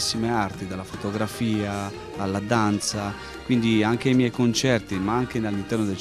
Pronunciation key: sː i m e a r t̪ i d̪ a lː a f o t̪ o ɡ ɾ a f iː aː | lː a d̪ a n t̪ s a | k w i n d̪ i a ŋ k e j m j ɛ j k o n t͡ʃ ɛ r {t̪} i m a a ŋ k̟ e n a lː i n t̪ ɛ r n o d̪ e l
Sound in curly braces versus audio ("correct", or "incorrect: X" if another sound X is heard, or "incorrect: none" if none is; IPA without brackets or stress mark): correct